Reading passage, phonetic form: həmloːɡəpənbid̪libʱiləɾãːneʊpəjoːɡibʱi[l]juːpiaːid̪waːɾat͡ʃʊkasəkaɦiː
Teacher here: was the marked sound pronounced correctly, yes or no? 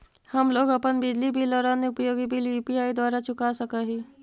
yes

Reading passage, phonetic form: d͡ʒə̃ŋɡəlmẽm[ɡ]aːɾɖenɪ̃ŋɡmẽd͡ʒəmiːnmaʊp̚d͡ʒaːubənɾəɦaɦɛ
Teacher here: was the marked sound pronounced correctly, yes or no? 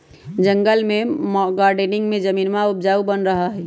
yes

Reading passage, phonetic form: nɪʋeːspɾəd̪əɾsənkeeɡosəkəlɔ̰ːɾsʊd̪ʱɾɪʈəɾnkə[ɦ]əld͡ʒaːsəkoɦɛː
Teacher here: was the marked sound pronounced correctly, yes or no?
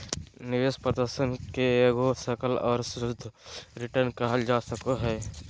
yes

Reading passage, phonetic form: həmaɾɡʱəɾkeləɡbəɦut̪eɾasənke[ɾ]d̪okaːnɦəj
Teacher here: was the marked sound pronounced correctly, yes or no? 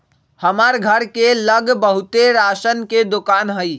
no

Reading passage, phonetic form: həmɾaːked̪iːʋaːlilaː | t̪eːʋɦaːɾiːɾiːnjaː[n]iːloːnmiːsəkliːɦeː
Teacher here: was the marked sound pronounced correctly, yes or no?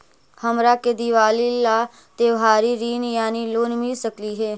yes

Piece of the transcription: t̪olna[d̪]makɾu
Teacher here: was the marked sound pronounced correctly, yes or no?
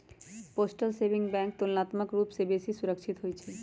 no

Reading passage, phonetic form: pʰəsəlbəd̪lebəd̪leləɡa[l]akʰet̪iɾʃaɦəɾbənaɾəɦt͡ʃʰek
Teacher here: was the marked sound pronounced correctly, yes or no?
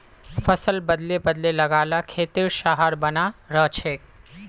yes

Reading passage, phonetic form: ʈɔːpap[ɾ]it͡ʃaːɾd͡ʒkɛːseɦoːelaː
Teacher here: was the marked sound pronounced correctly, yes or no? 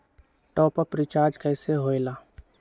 yes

